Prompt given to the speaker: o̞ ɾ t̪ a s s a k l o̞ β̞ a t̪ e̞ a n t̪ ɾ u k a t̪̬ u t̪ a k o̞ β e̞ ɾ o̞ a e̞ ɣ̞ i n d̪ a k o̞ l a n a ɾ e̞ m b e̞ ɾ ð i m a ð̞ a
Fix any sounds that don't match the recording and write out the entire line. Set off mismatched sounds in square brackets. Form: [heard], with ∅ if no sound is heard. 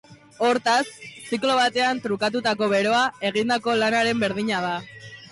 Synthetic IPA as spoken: o̞ ɾ t̪ a s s [i] k l o̞ β̞ a t̪ e̞ a n t̪ ɾ u k a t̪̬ u t̪ a k o̞ β e̞ ɾ o̞ a e̞ ɣ̞ i n d̪ a k o̞ l a n a ɾ e̞ m b e̞ ɾ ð i [ɲ] a ð̞ a

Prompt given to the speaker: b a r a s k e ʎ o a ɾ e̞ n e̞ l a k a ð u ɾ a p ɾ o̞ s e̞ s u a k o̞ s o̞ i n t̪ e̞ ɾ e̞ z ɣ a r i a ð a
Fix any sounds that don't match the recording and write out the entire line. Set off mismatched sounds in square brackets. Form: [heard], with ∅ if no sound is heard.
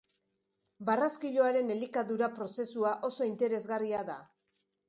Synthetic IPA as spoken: b a r a s k [i] ʎ o a ɾ e̞ n e̞ l [i] k a ð u ɾ a p ɾ o̞ s e̞ s u a [ʔ] o̞ s o̞ i n t̪ e̞ ɾ e̞ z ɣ a r i a ð a

